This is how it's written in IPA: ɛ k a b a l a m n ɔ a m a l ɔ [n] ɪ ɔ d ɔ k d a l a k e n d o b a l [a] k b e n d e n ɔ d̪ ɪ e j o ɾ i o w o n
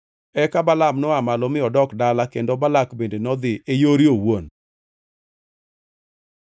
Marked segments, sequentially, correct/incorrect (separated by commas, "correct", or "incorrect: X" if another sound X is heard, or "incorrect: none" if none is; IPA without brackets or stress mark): incorrect: m, correct